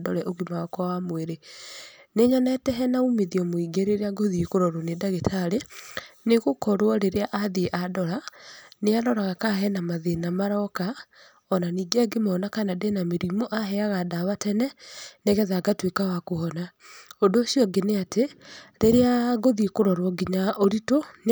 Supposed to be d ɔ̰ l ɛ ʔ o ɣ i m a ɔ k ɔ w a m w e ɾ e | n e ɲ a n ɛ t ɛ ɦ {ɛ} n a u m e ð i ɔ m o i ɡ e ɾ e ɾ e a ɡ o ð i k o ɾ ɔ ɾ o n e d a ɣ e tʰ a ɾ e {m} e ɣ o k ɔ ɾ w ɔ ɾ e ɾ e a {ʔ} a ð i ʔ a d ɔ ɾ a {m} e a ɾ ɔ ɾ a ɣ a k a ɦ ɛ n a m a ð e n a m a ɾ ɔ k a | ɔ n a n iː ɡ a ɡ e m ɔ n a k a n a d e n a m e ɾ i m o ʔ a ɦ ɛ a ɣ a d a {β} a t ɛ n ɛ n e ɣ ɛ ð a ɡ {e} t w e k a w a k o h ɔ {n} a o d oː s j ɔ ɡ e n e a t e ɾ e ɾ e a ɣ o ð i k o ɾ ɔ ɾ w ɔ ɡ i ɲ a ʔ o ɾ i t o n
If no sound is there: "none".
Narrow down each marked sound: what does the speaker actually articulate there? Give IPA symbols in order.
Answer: ɛ, n, ʔ, n, β, a, n

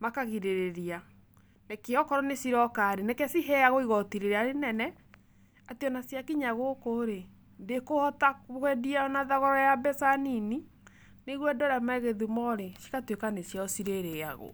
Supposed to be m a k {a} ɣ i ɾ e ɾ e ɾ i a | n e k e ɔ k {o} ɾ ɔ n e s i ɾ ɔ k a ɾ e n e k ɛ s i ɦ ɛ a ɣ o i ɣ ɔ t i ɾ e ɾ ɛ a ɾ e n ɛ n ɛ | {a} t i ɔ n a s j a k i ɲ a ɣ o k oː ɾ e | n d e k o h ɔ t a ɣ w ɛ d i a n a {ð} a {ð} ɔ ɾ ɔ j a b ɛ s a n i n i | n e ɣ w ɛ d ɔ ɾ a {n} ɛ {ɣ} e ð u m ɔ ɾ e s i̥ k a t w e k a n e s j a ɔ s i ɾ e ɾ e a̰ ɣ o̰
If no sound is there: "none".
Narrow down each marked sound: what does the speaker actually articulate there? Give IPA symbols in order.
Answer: a, ɔ, a, ð, ɣ, m, ɣ

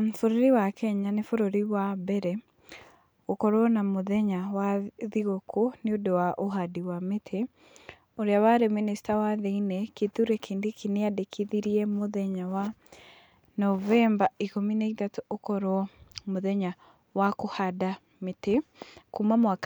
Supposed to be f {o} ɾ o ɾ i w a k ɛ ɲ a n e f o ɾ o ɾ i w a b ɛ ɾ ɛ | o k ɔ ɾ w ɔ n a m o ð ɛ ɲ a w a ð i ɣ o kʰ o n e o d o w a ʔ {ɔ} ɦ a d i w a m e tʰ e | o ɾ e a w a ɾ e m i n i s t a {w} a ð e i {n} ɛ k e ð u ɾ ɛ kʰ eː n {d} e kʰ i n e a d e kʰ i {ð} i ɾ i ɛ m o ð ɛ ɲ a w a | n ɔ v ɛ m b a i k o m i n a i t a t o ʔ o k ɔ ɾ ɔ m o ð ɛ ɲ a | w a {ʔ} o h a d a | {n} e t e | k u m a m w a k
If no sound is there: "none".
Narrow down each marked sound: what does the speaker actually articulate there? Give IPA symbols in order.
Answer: o, o, w, n, d, ð, k, m

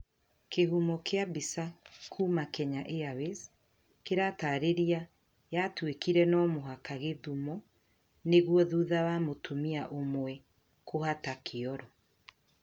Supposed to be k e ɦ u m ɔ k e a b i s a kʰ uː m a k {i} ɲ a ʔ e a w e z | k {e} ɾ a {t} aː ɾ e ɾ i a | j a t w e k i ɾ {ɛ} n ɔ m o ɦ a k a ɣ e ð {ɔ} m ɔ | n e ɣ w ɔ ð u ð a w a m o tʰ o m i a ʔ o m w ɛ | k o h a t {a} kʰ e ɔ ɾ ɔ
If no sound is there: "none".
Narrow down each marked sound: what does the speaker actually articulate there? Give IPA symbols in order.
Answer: ɛ, e, t, ɛ, u, a

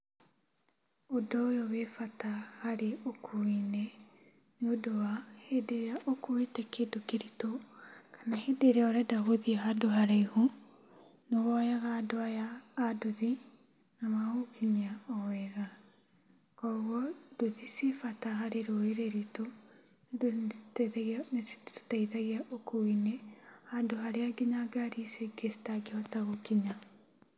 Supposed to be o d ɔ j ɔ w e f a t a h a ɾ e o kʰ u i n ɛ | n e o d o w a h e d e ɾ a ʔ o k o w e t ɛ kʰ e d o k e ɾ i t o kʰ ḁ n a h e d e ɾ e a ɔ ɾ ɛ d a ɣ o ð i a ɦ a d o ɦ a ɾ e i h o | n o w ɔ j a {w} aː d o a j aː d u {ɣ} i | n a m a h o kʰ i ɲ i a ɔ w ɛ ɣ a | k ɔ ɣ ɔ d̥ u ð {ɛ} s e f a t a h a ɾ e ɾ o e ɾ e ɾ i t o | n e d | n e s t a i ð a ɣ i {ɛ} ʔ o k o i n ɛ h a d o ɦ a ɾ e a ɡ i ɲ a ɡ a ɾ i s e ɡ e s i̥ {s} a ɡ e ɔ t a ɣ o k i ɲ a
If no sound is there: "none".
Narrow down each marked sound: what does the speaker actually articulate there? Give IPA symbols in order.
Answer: ɣ, ð, i, a, t

